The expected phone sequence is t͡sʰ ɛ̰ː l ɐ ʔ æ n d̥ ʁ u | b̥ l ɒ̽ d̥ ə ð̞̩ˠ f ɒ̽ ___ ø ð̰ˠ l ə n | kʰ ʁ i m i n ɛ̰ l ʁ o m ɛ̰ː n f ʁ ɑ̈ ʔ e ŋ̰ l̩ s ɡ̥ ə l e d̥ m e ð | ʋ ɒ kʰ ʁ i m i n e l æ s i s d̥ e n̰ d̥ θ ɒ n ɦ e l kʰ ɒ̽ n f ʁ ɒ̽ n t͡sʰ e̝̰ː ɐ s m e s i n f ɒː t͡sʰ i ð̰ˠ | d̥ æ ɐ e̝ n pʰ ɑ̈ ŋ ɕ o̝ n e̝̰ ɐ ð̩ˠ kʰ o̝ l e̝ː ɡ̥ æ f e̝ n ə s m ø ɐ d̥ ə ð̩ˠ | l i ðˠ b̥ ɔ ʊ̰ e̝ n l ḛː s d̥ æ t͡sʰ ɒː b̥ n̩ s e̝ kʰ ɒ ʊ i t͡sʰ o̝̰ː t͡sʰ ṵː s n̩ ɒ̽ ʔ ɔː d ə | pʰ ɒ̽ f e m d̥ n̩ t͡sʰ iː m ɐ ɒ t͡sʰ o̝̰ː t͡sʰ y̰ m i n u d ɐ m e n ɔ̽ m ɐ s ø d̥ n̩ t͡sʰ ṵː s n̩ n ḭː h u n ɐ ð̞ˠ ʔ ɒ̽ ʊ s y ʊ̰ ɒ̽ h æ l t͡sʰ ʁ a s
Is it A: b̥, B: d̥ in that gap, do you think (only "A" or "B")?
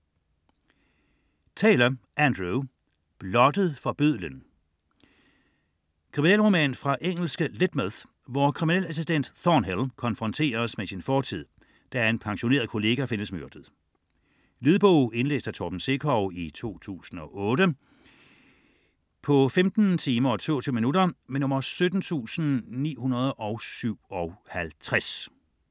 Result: A